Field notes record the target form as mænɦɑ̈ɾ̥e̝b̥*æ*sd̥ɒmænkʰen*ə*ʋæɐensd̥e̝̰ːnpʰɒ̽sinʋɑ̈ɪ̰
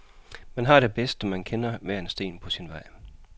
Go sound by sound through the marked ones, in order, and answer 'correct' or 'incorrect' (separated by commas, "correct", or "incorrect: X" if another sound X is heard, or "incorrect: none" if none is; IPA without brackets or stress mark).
incorrect: e, incorrect: ɐ